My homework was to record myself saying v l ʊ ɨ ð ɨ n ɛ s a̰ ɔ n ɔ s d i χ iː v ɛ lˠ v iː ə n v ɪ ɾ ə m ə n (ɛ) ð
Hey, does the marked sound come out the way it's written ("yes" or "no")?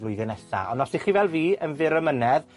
yes